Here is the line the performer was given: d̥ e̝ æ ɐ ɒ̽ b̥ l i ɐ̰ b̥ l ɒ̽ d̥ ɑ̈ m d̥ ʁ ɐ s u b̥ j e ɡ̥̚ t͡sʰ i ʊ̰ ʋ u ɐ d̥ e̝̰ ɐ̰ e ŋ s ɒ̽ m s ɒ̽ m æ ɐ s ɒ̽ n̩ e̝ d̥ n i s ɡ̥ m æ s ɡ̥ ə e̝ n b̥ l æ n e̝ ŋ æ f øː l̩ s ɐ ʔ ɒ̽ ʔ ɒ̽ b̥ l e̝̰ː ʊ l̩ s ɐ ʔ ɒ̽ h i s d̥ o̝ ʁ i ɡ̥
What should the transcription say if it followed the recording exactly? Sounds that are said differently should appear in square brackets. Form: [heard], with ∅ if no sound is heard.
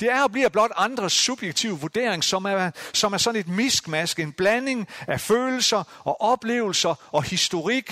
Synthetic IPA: d̥ e̝ æ ɐ ɒ̽ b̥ l i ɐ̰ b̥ l ɒ̽ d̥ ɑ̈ [n] d̥ ʁ ɐ s u b̥ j e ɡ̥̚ t͡sʰ i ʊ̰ ʋ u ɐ d̥ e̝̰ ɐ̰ e ŋ s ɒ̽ m s ɒ̽ m æ ɐ s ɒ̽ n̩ e̝ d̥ [m] i s ɡ̥ m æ s ɡ̥ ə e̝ n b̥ l æ n e̝ ŋ æ f øː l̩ s ɐ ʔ ɒ̽ ʔ ɒ̽ b̥ l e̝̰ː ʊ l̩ s ɐ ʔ ɒ̽ h i s d̥ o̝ ʁ i ɡ̥